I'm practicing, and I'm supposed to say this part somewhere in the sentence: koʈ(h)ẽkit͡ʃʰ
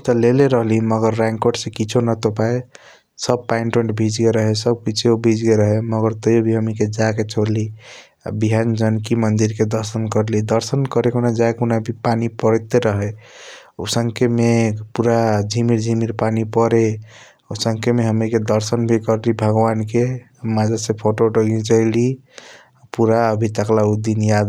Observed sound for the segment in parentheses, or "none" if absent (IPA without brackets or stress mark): s